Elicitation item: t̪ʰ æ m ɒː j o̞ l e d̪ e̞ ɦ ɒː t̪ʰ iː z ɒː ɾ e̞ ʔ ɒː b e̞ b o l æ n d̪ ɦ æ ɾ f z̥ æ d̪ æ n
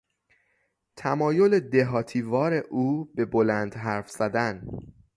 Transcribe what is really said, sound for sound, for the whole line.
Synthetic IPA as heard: t̪ʰ æ m ɒː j o̞ l e d̪ e̞ ɦ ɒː t̪ʰ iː v ɒː ɾ e̞ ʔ uː b e̞ b o l æ n d̪ ɦ æ ɾ f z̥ æ d̪ æ n